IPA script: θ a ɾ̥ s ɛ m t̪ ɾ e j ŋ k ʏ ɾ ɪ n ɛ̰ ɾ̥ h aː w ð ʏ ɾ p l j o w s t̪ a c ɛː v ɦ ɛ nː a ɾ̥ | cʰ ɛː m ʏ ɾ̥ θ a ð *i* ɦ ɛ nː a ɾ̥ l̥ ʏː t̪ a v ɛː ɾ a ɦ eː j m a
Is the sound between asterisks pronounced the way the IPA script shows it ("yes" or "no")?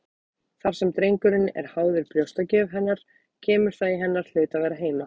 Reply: yes